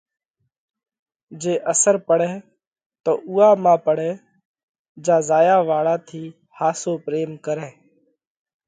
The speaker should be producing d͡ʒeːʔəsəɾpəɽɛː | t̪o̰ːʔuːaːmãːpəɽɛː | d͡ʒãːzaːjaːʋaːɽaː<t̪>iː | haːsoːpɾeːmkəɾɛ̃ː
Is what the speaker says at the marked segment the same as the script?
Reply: no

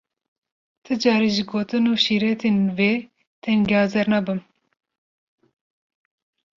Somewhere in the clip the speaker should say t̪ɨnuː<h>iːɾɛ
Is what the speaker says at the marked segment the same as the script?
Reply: no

